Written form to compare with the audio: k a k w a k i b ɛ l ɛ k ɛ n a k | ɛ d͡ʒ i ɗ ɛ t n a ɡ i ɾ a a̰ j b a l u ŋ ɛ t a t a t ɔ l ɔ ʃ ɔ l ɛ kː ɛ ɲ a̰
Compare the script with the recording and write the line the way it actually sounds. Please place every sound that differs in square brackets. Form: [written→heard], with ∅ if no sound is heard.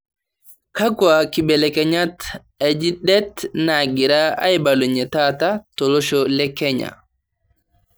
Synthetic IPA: k a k w a k i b ɛ l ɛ k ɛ [n→ɲ] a [k→t] | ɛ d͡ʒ i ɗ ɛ t n a ɡ i ɾ a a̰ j b a l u [ŋ→ɲ] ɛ t a t a t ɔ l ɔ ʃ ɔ l ɛ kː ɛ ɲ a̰